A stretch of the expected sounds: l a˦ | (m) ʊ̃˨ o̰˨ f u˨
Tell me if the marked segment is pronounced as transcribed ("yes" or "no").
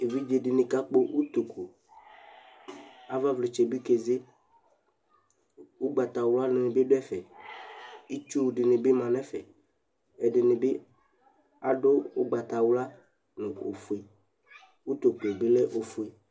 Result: no